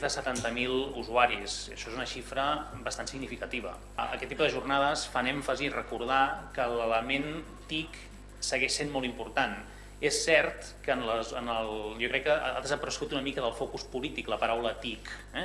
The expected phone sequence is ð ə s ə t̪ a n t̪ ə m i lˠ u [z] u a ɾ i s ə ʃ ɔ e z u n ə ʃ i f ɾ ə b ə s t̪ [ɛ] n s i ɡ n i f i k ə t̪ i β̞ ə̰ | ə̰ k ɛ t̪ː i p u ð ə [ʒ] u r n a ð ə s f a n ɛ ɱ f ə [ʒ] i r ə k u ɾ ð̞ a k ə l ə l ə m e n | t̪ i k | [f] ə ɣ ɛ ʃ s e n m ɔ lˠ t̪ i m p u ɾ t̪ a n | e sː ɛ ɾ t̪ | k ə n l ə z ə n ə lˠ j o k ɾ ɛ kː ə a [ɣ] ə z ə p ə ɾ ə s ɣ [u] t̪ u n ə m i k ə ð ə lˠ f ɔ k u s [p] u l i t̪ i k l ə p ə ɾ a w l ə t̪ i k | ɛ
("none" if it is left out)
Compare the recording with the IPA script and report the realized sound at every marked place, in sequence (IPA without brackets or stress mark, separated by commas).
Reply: z, a, ʒ, z, s, ð, u, p